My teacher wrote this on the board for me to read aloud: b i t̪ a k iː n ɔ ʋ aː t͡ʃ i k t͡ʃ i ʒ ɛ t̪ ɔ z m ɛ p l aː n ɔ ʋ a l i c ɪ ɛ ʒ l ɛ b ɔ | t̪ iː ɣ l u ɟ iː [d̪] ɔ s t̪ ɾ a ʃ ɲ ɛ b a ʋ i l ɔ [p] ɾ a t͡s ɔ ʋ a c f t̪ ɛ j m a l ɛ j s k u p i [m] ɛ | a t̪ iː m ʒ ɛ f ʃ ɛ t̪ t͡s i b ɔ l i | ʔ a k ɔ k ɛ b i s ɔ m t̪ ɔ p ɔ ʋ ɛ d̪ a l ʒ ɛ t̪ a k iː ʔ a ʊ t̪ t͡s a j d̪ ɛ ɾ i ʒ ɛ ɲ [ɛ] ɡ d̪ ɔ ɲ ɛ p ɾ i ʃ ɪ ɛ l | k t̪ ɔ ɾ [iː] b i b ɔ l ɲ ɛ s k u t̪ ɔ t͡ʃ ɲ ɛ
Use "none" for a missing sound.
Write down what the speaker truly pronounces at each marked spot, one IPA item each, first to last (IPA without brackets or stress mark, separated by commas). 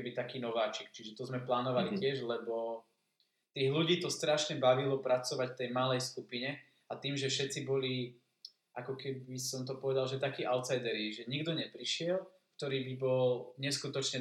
t̪, p, ɲ, i, iː